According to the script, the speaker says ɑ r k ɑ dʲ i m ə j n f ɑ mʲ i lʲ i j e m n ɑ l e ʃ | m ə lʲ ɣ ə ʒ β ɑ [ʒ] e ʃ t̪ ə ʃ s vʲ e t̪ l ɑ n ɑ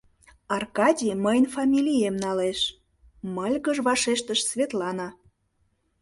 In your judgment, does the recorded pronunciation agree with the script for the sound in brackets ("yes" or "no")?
no